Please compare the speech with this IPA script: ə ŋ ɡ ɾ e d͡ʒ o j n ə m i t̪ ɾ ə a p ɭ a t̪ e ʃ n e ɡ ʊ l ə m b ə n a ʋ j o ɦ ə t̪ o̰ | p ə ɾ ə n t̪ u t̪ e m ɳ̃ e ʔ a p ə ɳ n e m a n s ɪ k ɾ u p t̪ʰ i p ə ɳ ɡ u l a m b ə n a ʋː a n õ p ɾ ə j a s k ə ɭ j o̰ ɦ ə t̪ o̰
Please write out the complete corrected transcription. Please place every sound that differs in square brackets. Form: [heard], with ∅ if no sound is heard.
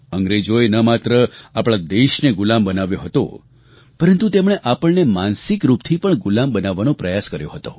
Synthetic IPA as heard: ə ŋ ɡ ɾ e d͡ʒ o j n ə m [a] t̪ ɾ ə a p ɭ a [d̪] e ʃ n e ɡ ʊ l [a] m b ə n a ʋ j o ɦ ə t̪ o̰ | p ə ɾ ə n t̪ u t̪ e m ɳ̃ e ʔ a p ə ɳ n e m a n s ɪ k ɾ u p t̪ʰ i p ə ɳ ɡ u l a m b ə n a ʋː a n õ p ɾ ə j a s k ə [ɾ] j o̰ ɦ ə t̪ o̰